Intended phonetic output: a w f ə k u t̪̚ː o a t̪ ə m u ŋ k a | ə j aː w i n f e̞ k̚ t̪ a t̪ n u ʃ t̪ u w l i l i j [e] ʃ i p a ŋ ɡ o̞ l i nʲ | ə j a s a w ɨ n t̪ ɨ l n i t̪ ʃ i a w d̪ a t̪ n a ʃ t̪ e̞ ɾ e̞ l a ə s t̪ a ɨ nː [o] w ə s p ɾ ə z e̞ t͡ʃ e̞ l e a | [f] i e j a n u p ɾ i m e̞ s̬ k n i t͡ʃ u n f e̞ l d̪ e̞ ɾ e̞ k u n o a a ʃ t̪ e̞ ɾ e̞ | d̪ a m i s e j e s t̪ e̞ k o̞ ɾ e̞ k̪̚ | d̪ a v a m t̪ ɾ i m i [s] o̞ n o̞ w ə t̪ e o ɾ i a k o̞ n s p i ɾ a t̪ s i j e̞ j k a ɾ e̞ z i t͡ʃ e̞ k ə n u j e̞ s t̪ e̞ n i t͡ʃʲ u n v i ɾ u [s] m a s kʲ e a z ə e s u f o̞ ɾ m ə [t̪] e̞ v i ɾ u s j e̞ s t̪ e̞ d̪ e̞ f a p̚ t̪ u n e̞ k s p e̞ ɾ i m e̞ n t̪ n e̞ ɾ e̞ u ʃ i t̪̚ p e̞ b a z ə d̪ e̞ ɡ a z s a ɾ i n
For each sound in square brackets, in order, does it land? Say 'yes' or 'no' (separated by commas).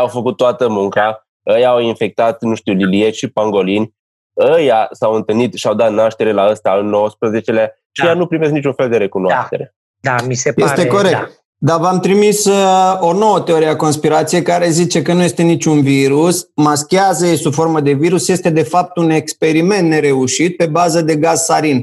yes, yes, no, yes, yes, no